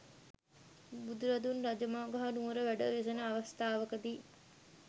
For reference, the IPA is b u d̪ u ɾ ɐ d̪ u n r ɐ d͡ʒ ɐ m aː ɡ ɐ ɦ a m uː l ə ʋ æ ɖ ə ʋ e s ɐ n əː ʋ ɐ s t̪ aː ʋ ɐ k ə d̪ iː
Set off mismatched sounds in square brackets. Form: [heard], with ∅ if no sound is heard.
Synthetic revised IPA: b u d̪ u ɾ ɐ d̪ u n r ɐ d͡ʒ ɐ m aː ɡ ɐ ɦ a [n] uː [ɾ] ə ʋ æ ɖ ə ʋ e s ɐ n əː ʋ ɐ s t̪ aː ʋ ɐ k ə d̪ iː